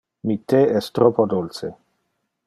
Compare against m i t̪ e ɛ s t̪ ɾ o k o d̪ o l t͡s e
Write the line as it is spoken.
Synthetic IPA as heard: m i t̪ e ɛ s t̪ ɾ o p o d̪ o l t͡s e